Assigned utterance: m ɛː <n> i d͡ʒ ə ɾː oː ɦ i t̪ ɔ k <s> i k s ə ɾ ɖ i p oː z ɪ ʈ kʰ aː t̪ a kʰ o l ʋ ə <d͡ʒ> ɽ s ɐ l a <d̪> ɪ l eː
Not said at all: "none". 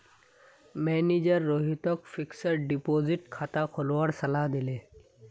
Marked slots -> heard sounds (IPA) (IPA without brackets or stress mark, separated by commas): n, f, none, d̪